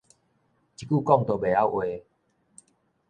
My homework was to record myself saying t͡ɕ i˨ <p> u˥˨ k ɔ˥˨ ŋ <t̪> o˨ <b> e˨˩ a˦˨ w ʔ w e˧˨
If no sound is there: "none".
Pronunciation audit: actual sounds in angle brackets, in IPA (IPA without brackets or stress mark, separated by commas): k, t̪, b